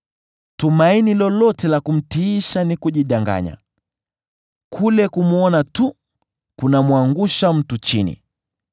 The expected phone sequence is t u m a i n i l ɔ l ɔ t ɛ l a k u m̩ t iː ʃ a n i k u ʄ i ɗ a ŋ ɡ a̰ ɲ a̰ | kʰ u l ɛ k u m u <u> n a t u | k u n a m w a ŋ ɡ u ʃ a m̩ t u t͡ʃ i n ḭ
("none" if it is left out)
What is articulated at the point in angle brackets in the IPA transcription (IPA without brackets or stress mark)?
ɔ